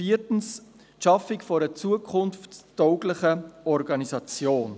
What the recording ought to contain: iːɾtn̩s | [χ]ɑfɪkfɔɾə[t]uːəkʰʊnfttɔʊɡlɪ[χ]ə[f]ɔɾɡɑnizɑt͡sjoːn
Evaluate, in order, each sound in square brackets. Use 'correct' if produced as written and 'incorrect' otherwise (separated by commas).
incorrect, incorrect, correct, incorrect